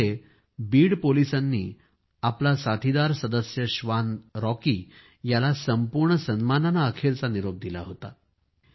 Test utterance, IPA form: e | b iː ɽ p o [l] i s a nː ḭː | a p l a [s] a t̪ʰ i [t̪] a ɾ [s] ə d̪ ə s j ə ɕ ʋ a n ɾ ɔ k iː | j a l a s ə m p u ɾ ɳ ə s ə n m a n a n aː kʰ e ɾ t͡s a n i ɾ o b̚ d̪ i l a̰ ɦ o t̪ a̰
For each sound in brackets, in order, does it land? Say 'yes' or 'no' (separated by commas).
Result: yes, yes, no, yes